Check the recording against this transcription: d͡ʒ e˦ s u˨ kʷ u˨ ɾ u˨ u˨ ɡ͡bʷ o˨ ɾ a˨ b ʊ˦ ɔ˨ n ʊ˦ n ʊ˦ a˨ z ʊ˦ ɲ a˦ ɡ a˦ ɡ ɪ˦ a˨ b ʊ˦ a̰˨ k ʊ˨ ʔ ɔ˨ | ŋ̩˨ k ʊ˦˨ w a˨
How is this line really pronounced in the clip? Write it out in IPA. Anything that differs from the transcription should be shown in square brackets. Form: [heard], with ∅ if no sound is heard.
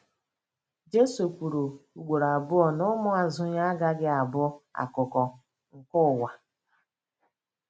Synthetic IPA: d͡ʒ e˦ s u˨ kʷ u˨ ɾ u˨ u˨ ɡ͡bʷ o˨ ɾ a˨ b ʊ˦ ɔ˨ n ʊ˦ [m] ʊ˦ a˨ z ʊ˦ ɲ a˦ ɡ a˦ ɡ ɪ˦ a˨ b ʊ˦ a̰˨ k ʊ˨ [k] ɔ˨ | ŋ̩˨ k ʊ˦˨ w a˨